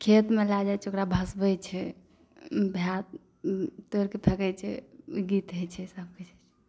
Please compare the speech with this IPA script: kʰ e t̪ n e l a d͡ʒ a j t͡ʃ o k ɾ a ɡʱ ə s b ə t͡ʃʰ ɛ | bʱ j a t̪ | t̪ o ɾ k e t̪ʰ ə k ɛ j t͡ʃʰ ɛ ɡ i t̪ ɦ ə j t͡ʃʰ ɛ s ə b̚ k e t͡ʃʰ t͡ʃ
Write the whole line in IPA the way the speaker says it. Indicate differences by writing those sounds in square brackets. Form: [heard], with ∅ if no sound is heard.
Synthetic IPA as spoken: kʰ e t̪ [m] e l a d͡ʒ a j t͡ʃ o k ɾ a [bʱ] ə s b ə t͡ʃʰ ɛ | bʱ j a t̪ | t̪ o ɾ k e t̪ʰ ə k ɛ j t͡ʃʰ ɛ ɡ i t̪ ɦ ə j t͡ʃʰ ɛ s ə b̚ k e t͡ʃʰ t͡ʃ